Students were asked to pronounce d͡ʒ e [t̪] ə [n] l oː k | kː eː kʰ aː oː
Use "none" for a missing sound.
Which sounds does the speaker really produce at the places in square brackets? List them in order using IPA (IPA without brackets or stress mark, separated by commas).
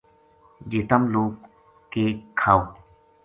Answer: t̪, m